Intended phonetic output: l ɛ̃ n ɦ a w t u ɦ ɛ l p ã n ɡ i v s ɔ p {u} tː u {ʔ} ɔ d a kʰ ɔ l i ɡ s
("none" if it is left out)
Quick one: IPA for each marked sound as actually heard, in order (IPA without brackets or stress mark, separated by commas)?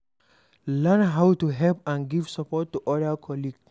ɔ, ʔ